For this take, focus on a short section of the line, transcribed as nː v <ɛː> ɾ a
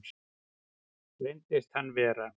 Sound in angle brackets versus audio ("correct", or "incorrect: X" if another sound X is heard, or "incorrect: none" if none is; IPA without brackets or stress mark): correct